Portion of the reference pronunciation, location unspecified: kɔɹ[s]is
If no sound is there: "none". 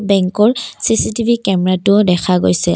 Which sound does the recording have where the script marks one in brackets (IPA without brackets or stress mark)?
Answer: s